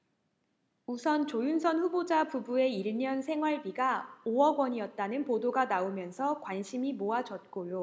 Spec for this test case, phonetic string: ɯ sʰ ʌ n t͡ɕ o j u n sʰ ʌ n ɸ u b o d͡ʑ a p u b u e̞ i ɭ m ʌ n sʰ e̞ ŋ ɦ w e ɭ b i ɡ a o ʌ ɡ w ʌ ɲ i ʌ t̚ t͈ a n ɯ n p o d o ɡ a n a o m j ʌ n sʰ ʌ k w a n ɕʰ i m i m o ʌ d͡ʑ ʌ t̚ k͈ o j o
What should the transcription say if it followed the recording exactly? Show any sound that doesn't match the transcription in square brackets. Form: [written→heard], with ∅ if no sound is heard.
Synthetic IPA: [ɯ→u] sʰ ʌ n t͡ɕ o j u n sʰ ʌ n ɸ u b o d͡ʑ a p u b u e̞ i ɭ [m→ɲ] ʌ n sʰ e̞ ŋ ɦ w [e→a] ɭ b i ɡ a o ʌ ɡ w ʌ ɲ i ʌ t̚ t͈ a n ɯ n p o d o ɡ a n a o m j ʌ n sʰ ʌ k w a n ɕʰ i m i m o [ʌ→a] d͡ʑ ʌ t̚ k͈ o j o